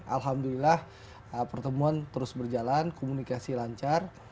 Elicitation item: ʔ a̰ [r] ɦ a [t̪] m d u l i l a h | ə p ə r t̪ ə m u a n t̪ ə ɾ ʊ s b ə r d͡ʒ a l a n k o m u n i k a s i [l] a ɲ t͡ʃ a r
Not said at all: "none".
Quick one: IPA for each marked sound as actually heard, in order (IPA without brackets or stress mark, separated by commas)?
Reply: l, none, l